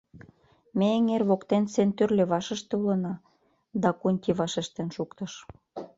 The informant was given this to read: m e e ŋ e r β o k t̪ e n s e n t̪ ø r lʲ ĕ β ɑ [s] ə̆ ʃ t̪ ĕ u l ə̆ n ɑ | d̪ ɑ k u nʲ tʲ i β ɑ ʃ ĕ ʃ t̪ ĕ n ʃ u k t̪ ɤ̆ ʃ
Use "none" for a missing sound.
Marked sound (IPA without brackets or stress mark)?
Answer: ʃ